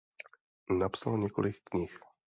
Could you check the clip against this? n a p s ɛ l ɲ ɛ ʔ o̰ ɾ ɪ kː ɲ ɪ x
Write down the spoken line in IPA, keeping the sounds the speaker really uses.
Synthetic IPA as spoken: n a p s a l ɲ ɛ k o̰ l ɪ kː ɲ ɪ x